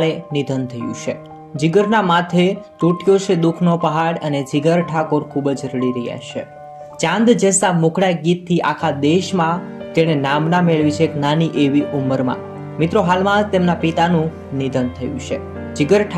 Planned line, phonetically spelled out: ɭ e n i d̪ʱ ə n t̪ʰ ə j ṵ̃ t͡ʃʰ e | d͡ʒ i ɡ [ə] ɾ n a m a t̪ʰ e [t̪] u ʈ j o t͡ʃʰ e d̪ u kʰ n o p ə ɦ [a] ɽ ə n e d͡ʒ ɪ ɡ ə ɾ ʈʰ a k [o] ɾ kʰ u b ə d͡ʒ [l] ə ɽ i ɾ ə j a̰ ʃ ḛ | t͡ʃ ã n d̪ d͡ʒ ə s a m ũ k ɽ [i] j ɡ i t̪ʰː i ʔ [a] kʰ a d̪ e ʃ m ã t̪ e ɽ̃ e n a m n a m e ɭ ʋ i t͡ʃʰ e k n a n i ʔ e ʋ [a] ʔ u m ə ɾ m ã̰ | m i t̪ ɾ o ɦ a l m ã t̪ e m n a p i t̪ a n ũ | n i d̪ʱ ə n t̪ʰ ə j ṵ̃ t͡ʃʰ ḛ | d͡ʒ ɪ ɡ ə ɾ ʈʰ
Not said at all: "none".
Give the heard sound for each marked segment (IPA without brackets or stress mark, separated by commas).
ə, t̪, a, o, ɾ, a, a, i